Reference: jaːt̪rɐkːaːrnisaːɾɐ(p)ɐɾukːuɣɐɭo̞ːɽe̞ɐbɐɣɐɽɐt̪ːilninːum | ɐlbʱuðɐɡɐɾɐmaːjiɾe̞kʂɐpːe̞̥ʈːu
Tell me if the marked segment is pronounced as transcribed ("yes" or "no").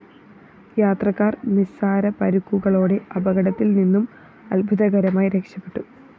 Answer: yes